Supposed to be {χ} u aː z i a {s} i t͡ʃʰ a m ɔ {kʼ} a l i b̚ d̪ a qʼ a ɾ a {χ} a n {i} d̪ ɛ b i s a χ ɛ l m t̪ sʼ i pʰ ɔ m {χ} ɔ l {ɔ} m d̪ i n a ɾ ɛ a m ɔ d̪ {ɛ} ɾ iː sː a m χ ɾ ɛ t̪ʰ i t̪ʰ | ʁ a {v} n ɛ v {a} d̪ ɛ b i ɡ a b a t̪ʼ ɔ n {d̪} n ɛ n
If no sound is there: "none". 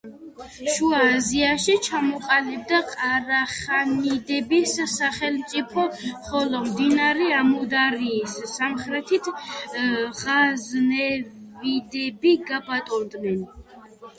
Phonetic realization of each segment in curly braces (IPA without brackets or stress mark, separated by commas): ʃ, ʃ, qʼ, χ, i, χ, ɔ, a, z, i, d̪